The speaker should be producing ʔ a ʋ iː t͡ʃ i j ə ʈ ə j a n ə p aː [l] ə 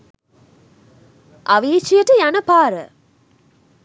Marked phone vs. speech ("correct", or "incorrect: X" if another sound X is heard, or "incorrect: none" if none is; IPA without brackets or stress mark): incorrect: ɾ